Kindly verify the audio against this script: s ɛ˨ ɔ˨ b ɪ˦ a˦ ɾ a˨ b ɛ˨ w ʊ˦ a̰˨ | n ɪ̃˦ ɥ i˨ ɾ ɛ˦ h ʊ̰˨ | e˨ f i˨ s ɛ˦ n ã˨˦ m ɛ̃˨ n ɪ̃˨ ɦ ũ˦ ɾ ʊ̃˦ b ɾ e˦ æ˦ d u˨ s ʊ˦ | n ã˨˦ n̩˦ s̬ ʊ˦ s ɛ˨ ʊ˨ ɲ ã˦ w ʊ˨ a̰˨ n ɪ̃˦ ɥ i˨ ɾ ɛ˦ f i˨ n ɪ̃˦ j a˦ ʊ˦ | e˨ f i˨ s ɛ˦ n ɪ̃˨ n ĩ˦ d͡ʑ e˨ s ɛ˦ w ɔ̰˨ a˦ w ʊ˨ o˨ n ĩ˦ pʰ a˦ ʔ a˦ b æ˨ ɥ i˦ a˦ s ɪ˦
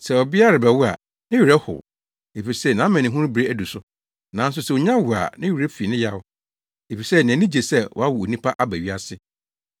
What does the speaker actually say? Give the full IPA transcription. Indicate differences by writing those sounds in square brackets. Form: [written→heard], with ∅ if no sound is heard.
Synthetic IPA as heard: s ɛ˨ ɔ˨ b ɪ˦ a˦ ɾ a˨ b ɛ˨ w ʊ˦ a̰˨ | n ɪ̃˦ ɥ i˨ ɾ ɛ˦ h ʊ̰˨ | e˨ f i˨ s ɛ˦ n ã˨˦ m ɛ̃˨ n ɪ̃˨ ɦ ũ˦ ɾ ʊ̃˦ b ɾ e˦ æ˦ d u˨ s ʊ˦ | n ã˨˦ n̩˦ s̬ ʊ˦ s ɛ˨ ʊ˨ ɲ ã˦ w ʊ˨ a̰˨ n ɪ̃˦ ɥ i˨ ɾ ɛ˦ f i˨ n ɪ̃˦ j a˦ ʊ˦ | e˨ f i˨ s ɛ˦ n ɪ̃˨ n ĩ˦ d͡ʑ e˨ s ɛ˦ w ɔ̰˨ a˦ w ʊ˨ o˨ n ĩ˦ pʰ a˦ ʔ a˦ b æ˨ ɥ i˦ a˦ s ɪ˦

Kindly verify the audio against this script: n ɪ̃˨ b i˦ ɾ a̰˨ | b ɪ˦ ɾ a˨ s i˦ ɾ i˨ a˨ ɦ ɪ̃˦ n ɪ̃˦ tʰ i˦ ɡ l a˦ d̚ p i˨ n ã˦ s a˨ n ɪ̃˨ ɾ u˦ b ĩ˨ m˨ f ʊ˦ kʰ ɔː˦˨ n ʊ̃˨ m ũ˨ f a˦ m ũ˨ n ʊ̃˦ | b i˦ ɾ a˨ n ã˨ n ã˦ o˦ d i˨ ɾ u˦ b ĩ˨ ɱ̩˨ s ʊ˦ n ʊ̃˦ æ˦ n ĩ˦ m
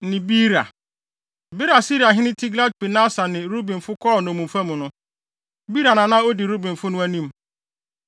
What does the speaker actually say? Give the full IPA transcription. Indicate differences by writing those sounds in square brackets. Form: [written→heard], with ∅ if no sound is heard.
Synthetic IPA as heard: n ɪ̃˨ b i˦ ɾ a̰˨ | b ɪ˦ ɾ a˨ s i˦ ɾ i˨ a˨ ɦ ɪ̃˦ n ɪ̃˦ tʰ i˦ ɡ l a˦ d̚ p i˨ n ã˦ s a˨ n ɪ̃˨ ɾ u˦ b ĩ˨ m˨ f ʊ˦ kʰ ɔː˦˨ n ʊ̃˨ m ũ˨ f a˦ m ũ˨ n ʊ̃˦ | b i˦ ɾ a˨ n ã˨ n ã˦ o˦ d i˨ ɾ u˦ b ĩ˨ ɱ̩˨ [s→f] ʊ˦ n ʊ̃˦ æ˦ n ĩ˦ m

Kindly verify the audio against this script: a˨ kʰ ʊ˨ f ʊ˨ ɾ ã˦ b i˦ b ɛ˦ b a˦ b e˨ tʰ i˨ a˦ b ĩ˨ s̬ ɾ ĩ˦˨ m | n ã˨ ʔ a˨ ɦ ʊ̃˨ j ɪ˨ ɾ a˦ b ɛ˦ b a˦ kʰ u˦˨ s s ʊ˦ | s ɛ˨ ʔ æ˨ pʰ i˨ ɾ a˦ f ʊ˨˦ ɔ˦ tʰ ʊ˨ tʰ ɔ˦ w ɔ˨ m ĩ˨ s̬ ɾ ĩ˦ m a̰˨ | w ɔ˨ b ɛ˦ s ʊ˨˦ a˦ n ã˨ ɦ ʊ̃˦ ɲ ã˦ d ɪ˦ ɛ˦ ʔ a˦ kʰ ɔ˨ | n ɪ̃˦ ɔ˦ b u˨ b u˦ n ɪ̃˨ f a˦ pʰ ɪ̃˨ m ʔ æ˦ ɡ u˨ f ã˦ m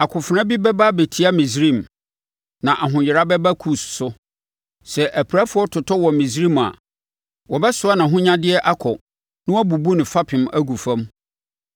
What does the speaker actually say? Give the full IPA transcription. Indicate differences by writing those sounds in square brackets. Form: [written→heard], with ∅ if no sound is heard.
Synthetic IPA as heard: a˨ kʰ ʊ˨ f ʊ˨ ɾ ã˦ b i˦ b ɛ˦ b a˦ b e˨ tʰ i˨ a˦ [b→m] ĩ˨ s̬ ɾ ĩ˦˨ m | n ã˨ ʔ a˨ ɦ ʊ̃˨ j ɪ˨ ɾ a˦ b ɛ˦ b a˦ kʰ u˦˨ s s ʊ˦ | s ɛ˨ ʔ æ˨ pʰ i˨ ɾ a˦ f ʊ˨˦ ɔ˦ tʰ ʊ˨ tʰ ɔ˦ w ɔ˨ m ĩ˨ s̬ ɾ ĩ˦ m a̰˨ | w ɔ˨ b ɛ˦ s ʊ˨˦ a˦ n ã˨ ɦ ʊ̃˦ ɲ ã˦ d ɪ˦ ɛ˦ ʔ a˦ kʰ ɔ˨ | n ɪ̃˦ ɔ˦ b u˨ b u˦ n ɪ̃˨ f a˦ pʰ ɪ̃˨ m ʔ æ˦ ɡ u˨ f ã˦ m

